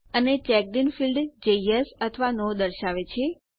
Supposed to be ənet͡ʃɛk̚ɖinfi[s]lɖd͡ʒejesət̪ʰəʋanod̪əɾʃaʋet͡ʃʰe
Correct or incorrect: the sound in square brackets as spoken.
incorrect: none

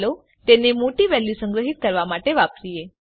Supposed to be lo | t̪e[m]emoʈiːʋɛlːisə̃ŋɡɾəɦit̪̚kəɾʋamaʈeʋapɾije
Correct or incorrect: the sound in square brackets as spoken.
incorrect: n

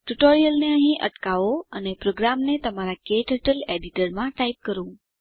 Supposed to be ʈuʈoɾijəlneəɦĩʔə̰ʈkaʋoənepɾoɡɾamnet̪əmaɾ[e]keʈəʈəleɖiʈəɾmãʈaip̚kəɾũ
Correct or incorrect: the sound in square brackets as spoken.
incorrect: a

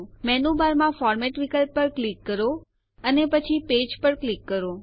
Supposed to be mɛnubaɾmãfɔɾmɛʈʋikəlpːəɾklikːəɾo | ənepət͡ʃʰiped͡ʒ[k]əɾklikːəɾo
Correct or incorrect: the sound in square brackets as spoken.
incorrect: p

